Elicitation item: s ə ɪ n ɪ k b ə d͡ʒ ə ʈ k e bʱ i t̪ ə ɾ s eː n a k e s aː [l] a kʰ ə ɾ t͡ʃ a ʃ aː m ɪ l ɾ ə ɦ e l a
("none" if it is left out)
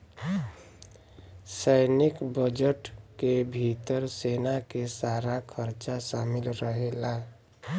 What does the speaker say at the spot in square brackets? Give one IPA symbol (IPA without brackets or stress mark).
ɾ